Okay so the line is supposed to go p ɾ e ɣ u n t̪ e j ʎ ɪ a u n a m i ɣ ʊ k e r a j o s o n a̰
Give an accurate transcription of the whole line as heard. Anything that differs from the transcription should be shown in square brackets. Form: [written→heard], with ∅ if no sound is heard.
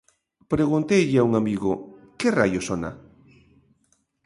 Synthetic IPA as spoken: p ɾ e ɣ u n t̪ e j ʎ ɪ a u [n→ŋ] a m i ɣ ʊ k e r a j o s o n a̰